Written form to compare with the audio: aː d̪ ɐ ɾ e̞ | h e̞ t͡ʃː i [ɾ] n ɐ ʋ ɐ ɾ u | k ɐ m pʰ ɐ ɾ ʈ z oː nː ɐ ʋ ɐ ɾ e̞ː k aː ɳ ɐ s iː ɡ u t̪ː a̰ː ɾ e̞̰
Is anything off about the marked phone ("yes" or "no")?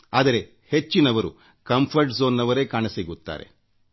yes